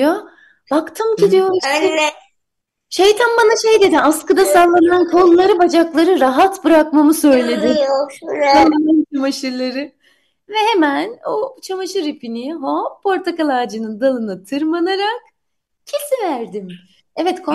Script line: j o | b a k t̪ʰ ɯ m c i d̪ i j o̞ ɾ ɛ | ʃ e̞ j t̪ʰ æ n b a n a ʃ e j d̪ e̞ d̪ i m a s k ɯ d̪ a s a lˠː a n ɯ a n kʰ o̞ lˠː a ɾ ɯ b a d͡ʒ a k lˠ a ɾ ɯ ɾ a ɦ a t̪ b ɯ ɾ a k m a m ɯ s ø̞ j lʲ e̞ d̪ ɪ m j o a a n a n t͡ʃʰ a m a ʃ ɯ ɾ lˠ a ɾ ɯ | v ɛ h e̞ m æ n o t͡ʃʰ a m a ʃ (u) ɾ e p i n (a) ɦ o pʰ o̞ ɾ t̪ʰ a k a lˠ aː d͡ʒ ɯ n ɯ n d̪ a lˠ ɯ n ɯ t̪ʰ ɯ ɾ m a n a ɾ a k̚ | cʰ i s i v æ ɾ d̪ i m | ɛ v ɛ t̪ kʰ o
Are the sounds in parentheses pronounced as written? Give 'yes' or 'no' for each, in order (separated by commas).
no, no